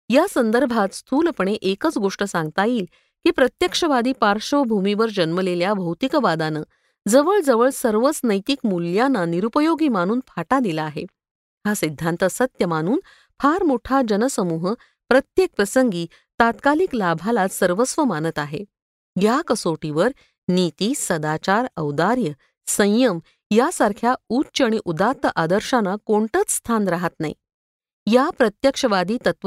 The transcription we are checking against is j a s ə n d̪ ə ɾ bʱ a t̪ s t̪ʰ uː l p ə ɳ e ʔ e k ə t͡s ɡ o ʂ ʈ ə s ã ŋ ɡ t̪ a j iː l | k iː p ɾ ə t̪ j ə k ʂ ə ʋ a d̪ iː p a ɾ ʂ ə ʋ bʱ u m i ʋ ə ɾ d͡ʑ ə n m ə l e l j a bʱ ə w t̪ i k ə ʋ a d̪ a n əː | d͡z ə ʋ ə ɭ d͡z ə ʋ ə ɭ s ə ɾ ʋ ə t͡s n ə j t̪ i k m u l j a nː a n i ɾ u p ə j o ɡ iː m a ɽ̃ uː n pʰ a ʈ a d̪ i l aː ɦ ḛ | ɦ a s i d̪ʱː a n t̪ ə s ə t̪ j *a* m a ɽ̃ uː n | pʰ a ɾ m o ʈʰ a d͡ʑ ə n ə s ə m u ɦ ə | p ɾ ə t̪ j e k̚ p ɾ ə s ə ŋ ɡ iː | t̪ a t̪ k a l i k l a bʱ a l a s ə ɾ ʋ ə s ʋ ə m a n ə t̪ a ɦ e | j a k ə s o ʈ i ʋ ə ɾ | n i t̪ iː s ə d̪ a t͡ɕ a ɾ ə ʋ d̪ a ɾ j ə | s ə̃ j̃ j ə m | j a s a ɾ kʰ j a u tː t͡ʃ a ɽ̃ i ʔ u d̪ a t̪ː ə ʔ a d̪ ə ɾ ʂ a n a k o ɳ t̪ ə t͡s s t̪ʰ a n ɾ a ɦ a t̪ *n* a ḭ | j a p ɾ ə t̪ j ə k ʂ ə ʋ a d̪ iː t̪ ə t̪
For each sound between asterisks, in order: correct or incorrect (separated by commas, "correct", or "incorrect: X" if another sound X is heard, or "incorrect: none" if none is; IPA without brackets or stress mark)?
incorrect: ə, correct